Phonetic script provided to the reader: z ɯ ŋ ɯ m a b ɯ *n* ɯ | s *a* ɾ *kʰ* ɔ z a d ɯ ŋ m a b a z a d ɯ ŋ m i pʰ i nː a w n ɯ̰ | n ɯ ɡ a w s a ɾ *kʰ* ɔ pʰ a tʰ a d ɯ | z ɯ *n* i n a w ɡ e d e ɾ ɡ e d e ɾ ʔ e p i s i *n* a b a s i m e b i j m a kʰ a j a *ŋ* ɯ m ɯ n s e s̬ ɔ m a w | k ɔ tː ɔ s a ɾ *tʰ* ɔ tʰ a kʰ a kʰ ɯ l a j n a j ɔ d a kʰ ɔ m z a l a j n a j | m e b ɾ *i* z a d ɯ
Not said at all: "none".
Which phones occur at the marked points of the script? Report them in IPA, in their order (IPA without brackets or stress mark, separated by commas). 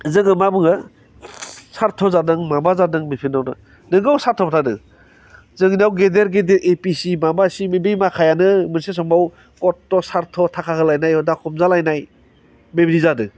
ŋ, a, tʰ, tʰ, ŋ, m, n, tʰ, i